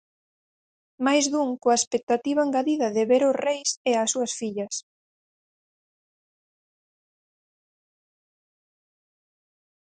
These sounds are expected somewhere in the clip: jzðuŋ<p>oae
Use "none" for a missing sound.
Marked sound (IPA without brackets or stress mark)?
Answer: k